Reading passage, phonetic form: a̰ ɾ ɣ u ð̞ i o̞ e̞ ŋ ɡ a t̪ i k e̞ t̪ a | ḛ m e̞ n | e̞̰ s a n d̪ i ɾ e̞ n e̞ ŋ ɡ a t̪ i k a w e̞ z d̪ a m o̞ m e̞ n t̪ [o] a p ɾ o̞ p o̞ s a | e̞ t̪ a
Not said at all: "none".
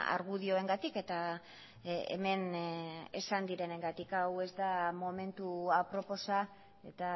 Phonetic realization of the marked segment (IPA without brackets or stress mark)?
u